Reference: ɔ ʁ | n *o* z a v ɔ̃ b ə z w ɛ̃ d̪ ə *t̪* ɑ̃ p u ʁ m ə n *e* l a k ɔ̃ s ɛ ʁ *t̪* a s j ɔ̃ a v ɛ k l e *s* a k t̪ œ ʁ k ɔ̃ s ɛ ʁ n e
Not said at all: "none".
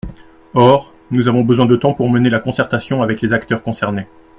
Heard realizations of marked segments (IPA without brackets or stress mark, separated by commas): u, t̪, e, t̪, z